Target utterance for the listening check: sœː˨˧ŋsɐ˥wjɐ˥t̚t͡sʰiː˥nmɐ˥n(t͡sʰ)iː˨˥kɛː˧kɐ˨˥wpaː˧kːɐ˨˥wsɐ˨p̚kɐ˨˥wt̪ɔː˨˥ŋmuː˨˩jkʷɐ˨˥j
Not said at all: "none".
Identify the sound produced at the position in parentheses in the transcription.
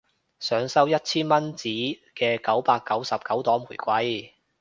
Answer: t͡s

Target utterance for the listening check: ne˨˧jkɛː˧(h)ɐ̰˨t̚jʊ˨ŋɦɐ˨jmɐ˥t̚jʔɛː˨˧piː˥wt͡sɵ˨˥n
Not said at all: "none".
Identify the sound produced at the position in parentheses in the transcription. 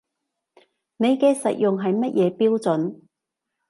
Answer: s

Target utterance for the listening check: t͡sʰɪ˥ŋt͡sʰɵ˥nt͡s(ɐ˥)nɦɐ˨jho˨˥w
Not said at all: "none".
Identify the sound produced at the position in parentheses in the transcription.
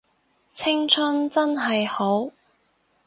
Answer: ɐ˥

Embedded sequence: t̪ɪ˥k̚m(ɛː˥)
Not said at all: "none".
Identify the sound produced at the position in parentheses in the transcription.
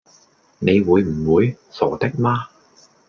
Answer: aː˥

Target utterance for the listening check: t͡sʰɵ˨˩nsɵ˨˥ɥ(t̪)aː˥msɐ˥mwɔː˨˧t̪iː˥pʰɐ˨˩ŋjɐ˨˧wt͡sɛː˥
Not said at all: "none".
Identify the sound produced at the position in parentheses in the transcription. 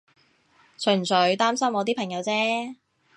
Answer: t̪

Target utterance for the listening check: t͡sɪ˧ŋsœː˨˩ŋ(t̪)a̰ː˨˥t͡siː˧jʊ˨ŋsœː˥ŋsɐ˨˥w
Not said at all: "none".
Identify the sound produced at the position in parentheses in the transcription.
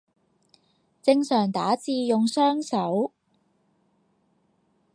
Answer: t̪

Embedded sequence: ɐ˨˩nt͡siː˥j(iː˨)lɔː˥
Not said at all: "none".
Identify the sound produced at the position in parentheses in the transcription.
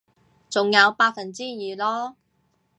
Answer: iː˨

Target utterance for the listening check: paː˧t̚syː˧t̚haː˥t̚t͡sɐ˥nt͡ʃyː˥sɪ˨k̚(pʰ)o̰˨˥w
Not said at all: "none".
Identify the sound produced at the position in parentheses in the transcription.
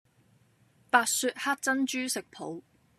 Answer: pʰ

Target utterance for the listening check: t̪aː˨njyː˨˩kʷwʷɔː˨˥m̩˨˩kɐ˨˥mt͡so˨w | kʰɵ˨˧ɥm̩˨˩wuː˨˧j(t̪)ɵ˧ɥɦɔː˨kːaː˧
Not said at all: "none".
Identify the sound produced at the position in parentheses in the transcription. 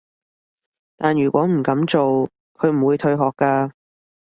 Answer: t̪ʰ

